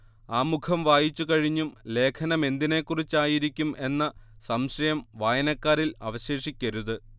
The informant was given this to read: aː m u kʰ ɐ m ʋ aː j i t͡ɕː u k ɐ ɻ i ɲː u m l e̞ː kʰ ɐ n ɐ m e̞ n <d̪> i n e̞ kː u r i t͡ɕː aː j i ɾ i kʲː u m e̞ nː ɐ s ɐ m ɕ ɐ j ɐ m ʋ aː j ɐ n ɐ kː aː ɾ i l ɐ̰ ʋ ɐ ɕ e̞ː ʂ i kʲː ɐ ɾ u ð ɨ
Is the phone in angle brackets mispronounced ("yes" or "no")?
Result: no